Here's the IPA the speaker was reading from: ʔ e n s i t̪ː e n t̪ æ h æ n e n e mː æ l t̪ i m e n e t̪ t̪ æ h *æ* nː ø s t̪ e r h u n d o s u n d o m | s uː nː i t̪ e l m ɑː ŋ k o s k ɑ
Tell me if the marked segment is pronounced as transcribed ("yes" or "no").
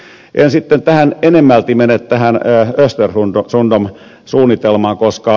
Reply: yes